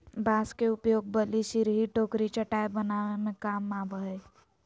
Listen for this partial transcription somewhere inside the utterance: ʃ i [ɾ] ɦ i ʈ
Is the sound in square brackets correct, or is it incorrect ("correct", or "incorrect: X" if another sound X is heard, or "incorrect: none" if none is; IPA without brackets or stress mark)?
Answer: correct